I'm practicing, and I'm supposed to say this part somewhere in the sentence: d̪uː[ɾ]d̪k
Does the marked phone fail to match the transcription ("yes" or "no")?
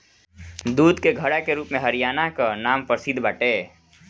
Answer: yes